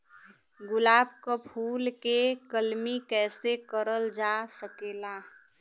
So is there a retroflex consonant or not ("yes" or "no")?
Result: no